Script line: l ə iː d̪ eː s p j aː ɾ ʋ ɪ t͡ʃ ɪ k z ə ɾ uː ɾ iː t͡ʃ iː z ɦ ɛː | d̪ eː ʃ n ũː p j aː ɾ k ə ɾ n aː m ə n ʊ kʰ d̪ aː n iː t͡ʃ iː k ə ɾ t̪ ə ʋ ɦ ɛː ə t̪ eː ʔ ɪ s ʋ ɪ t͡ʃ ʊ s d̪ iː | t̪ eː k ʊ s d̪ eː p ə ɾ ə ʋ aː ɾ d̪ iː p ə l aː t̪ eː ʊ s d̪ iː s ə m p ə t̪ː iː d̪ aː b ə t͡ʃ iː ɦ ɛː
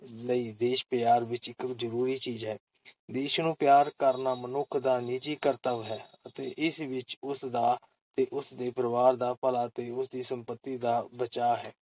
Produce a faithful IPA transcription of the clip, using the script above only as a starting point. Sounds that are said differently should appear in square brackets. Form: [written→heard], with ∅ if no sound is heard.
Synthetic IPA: l ə iː d̪ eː [s→ʃ] p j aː ɾ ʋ ɪ t͡ʃ ɪ k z ə ɾ uː ɾ iː t͡ʃ iː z ɦ ɛː | d̪ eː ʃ n ũː p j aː ɾ k ə ɾ n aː m ə n ʊ kʰ d̪ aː n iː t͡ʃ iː k ə ɾ t̪ ə ʋ ɦ ɛː ə t̪ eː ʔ ɪ s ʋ ɪ t͡ʃ ʊ s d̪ [iː→aː] | t̪ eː [k→ʔ] ʊ s d̪ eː p ə ɾ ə ʋ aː ɾ d̪ [iː→aː] p ə l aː t̪ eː ʊ s d̪ iː s ə m p ə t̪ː iː d̪ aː b ə t͡ʃ [iː→aː] ɦ ɛː